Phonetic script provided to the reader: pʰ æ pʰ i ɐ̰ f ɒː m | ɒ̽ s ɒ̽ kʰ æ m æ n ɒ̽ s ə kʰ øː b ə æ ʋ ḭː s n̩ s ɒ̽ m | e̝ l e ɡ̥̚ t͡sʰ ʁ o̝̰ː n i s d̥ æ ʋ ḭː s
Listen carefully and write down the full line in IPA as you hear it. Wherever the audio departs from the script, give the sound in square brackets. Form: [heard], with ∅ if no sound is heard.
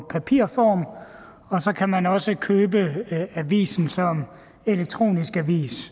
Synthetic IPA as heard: pʰ æ pʰ i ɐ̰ f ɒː m | ɒ̽ s ɒ̽ kʰ æ m æ n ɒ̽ s ə kʰ øː b ə æ ʋ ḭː s n̩ s ɒ̽ m | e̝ l e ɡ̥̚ t͡sʰ ʁ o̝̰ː n i s [ɡ̥] æ ʋ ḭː s

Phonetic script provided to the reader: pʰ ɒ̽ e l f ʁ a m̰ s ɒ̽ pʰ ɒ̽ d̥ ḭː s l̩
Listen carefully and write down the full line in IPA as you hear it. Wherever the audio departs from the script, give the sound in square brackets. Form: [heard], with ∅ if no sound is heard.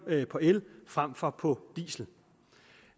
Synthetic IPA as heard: pʰ ɒ̽ e l f ʁ a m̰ [f] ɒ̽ pʰ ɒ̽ d̥ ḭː s l̩

